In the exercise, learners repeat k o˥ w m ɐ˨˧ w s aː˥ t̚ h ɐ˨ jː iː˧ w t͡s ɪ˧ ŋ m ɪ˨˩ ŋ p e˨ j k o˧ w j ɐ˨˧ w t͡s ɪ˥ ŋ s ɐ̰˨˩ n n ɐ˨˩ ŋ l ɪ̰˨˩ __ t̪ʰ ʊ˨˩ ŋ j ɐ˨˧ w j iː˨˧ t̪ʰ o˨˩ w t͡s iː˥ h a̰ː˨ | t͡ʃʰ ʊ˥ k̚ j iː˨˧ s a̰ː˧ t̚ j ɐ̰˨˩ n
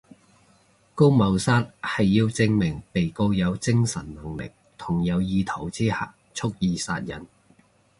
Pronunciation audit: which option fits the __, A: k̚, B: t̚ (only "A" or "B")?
A